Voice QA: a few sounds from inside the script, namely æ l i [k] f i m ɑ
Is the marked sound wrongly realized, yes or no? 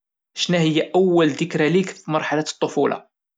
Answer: no